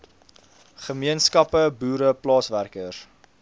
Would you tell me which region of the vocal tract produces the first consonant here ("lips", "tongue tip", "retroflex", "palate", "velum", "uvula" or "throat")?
uvula